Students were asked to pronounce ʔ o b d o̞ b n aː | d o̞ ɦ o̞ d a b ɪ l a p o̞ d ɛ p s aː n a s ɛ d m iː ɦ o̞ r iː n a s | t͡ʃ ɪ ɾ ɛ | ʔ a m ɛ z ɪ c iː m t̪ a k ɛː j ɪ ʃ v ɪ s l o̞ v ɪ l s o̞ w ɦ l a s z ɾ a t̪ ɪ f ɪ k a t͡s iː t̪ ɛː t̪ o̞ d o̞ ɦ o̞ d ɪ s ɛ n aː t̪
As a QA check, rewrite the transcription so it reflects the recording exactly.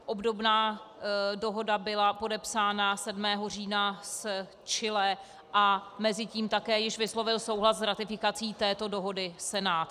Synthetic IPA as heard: ʔ o b d o̞ b n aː | d o̞ ɦ o̞ d a b ɪ l a p o̞ d ɛ p s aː n a s ɛ d m ɛː ɦ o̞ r iː n a s | t͡ʃ ɪ l ɛ | ʔ a m ɛ z ɪ c iː m t̪ a k ɛː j ɪ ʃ v ɪ s l o̞ v ɪ l s o̞ w ɦ l a s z ɾ a t̪ ɪ f ɪ k a t͡s iː t̪ ɛː t̪ o̞ d o̞ ɦ o̞ d ɪ s ɛ n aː t̪